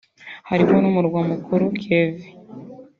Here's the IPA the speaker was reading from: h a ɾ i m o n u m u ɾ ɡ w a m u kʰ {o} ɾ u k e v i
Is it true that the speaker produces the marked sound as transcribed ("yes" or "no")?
no